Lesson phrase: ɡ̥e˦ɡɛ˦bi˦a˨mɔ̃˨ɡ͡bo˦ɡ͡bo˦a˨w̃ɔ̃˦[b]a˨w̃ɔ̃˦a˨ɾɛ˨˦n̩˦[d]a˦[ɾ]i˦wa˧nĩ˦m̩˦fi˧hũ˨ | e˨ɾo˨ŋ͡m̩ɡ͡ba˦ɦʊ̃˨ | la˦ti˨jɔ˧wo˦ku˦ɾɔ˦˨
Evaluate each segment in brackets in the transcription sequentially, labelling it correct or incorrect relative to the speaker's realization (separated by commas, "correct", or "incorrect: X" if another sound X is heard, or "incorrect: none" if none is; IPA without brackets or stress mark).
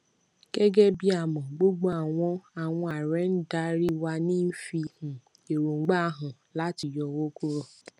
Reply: incorrect: none, correct, correct